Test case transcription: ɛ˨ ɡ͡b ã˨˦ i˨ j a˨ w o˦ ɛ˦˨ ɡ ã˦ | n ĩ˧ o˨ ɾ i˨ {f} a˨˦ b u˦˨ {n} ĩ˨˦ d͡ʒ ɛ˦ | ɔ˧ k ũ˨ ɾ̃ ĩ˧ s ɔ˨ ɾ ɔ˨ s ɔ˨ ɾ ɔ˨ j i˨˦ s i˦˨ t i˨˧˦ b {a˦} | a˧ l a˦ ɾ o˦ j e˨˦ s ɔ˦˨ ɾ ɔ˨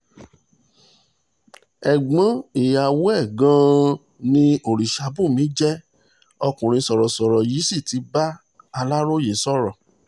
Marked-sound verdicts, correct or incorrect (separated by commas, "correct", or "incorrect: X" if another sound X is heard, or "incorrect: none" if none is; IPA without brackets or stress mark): incorrect: ʃ, incorrect: m, correct